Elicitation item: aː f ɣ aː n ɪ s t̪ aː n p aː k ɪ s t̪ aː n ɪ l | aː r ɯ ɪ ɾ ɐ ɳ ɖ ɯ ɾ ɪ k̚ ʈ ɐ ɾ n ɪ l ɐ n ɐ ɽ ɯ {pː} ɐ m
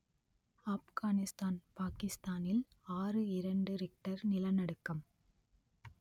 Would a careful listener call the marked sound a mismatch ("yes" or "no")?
yes